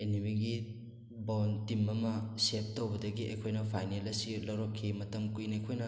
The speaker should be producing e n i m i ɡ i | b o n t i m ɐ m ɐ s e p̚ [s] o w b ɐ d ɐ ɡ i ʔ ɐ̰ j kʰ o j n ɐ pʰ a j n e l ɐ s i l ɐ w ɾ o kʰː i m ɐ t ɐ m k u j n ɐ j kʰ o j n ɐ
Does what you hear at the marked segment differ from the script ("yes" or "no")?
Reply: yes